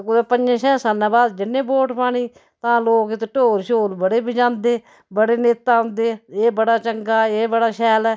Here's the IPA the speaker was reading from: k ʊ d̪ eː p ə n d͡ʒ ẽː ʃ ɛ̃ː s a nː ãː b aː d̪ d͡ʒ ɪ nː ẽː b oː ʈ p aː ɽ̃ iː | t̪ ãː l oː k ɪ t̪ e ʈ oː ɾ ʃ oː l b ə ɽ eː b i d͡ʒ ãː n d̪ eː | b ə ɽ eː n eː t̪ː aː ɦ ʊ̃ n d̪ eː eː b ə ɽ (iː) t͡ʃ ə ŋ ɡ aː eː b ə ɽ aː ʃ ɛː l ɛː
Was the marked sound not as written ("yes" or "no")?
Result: yes